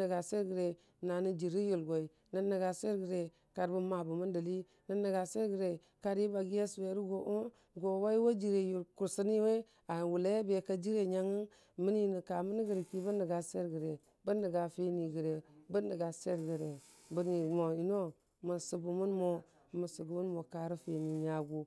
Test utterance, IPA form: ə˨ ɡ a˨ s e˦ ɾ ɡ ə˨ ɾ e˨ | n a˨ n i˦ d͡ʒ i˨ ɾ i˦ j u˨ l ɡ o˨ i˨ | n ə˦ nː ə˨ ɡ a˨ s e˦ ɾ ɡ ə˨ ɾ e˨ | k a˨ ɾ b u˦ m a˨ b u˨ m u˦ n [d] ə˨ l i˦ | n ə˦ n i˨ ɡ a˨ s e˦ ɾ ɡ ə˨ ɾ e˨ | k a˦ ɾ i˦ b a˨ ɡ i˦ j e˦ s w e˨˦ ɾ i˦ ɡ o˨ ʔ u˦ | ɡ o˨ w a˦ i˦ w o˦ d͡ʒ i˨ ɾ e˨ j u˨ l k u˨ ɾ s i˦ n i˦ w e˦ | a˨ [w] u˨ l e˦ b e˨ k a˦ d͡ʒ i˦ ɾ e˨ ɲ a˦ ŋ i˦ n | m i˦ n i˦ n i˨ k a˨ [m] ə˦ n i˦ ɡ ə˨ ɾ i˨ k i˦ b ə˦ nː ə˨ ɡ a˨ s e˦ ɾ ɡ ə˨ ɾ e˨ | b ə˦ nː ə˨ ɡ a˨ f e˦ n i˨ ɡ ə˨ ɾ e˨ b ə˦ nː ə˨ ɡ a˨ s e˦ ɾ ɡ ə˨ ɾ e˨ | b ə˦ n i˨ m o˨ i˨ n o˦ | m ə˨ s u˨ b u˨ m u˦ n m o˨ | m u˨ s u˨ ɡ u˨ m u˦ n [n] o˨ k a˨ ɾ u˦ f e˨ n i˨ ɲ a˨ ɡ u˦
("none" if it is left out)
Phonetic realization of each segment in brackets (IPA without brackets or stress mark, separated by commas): d, w, m, m